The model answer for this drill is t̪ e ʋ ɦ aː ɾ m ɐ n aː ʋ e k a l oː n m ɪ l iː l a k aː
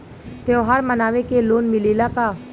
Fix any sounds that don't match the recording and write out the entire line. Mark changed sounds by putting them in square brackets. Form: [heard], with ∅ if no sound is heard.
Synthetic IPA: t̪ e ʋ ɦ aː ɾ m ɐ n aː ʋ e k [e] l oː n m ɪ l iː l a k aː